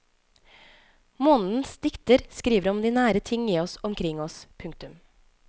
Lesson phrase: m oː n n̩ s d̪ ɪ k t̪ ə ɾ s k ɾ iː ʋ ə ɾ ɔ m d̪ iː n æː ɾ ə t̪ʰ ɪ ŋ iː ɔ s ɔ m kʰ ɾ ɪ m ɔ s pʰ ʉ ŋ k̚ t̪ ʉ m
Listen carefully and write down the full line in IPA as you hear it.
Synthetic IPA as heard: m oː n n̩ s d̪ ɪ k t̪ ə ɾ s k ɾ iː ʋ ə ɾ ɔ m d̪ iː n æː ɾ ə t̪ʰ ɪ ŋ iː ɔ s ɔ m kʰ ɾ ɪ ŋ ɔ s pʰ ʉ ŋ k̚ t̪ ʉ m